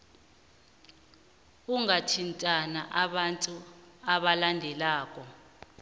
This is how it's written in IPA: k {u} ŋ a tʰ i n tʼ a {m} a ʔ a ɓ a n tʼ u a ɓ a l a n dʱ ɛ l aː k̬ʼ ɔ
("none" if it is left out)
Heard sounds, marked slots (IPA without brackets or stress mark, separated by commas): u, n